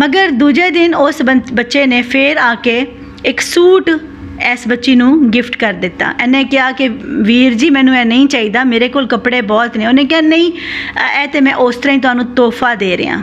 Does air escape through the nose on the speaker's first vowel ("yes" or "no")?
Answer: no